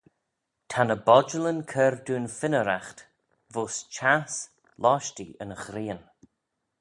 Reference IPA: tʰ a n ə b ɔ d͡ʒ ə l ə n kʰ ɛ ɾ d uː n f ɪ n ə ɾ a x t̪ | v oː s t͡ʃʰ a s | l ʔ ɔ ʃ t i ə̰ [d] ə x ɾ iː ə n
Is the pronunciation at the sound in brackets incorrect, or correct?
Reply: incorrect